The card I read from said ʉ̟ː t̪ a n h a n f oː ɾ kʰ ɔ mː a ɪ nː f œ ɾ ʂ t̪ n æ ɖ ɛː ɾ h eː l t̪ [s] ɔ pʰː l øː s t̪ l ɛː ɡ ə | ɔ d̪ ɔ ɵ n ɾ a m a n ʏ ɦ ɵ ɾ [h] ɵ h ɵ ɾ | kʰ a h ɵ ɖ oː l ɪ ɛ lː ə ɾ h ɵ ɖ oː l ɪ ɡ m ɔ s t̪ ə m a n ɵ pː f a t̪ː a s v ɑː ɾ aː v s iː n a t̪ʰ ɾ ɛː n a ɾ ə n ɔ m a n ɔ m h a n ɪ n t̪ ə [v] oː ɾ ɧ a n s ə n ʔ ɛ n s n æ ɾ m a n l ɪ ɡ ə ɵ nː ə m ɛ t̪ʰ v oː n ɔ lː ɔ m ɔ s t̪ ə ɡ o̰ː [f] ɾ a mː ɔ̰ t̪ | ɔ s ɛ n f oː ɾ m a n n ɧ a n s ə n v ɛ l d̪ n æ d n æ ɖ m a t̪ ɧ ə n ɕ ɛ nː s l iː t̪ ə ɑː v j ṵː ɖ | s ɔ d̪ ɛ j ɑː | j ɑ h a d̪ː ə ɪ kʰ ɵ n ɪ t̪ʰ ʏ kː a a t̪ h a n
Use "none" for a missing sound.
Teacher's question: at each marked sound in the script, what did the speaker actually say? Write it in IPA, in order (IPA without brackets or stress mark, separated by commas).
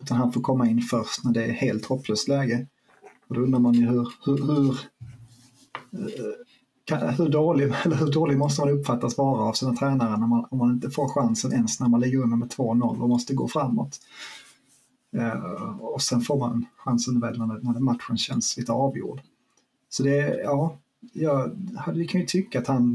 h, h, f, f